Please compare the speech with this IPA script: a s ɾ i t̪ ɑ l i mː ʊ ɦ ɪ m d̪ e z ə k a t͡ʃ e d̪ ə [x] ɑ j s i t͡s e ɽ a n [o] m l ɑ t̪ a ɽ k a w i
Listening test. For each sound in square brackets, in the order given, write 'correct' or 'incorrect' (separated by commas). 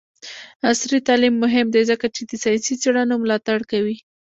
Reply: incorrect, correct